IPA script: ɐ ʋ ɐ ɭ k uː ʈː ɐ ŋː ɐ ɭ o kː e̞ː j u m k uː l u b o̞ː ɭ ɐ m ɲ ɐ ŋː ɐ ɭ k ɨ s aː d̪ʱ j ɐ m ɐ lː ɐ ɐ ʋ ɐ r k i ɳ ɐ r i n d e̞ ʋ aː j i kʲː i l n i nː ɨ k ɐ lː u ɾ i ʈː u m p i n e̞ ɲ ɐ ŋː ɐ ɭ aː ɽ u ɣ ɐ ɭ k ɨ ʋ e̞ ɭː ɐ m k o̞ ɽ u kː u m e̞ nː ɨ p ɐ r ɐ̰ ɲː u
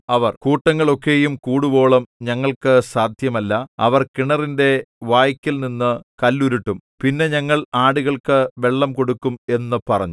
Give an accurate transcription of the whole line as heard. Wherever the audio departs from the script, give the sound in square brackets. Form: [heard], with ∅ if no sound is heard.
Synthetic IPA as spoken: ɐ ʋ ɐ [r] k uː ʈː ɐ ŋː ɐ ɭ o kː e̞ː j u m k uː [ɽ] u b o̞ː ɭ ɐ m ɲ ɐ ŋː ɐ ɭ k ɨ s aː d̪ʱ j ɐ m ɐ lː ɐ ɐ ʋ ɐ r k i ɳ ɐ r i n d e̞ ʋ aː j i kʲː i l n i nː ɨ k ɐ lː u ɾ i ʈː u m p i [nː] e̞ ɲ ɐ ŋː ɐ ɭ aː ɽ u ɣ ɐ ɭ k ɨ ʋ e̞ ɭː ɐ m k o̞ ɽ u kː u m e̞ nː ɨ p ɐ r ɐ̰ ɲː u